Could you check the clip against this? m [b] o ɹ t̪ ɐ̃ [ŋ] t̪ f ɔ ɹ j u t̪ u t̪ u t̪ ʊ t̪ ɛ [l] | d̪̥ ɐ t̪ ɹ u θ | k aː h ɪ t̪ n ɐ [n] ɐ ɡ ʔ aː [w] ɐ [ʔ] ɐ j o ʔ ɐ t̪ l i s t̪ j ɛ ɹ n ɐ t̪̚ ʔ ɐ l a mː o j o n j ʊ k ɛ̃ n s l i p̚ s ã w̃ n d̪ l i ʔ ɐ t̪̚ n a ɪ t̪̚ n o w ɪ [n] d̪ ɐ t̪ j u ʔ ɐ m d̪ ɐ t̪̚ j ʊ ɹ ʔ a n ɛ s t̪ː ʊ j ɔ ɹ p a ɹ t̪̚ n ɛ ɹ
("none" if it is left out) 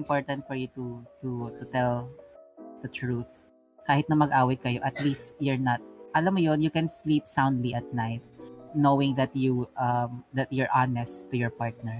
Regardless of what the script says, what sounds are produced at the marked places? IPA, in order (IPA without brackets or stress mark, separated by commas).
p, n, l, m, w, k, ŋ